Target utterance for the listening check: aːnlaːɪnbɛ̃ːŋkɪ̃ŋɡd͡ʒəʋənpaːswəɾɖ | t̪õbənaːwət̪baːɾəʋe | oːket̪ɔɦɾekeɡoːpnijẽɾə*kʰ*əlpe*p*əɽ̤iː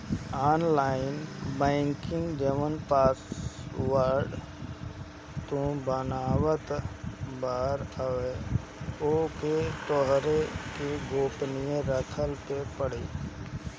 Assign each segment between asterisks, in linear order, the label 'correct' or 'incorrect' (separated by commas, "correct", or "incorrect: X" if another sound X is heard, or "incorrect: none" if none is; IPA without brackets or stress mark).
correct, correct